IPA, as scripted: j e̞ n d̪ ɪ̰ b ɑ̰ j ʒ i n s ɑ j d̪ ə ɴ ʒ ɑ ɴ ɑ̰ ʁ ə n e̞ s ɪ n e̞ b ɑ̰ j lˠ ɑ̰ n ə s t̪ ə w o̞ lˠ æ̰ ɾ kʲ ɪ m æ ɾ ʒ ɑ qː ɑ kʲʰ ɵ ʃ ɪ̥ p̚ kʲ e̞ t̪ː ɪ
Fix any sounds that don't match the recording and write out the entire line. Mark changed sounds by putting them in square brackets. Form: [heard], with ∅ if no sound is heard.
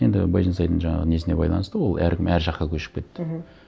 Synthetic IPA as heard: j e̞ n d̪ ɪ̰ b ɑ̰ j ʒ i n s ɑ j d̪ ə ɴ ʒ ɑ ɴ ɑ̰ ʁ ə n e̞ s ɪ n e̞ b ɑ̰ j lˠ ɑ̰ n ə s t̪ ə w o̞ lˠ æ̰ ɾ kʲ ɪ m æ ɾ ʒ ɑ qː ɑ kʲʰ ɵ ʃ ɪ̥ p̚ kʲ e̞ t̪ː ɪ